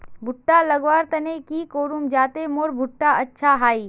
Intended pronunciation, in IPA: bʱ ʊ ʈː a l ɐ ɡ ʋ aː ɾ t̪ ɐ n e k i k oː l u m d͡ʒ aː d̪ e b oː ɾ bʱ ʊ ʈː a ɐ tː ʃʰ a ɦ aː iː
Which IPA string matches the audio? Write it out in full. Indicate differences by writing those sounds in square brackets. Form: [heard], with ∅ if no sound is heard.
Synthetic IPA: bʱ ʊ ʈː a l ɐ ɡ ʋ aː ɾ t̪ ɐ n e k i k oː [ɾ] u m d͡ʒ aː [t̪] e [m] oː ɾ bʱ ʊ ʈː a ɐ tː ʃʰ a ɦ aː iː